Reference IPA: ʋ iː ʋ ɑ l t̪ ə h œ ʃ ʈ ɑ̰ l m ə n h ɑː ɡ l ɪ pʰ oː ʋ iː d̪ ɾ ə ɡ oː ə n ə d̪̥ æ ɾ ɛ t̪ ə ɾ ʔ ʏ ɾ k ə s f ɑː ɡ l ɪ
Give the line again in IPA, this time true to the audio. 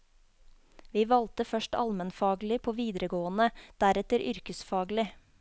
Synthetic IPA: ʋ iː ʋ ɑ l t̪ ə f œ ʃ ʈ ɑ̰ l m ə n f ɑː ɡ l ɪ pʰ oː ʋ iː d̪ ɾ ə ɡ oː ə n ə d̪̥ æ ɾ ɛ t̪ ə ɾ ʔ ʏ ɾ k ə s f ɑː ɡ l ɪ